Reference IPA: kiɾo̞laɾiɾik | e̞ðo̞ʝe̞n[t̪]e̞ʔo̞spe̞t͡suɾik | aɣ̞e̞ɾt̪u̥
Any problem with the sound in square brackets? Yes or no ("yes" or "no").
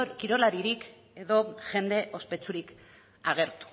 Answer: yes